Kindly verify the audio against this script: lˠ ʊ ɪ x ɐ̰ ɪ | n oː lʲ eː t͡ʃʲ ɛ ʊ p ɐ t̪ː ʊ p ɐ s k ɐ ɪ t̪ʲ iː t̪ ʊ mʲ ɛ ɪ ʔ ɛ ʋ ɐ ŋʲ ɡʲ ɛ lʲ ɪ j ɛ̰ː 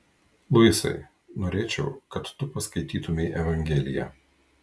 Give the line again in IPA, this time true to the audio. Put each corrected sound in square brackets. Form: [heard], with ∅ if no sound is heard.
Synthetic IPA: lˠ ʊ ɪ [s] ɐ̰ ɪ | n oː [ɾʲ] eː t͡ʃʲ ɛ ʊ [k] ɐ t̪ː ʊ p ɐ s k ɐ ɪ t̪ʲ iː t̪ ʊ mʲ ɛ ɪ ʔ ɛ ʋ ɐ ŋʲ ɡʲ ɛ lʲ ɪ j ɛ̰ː